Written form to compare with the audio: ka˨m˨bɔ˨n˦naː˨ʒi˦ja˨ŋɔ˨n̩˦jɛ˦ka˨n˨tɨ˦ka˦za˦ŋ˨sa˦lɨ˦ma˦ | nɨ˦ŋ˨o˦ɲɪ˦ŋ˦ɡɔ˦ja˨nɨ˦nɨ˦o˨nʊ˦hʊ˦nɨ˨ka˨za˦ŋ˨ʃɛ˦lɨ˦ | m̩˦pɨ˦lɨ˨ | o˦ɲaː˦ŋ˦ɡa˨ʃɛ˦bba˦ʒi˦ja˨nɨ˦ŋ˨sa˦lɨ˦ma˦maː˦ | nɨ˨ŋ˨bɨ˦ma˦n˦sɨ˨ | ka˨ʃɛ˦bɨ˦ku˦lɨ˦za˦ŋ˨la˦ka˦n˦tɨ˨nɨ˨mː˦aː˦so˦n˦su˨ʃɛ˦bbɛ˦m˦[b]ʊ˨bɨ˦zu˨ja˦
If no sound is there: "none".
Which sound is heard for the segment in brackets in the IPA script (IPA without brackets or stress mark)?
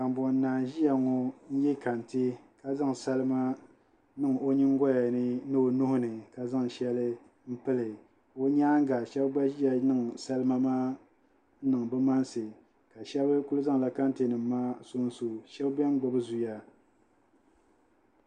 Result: ɡ͡b